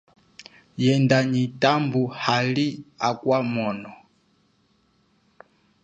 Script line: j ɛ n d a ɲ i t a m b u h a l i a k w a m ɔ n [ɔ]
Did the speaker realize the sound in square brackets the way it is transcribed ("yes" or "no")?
yes